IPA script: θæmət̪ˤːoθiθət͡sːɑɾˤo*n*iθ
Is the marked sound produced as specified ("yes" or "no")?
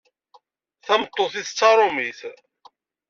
no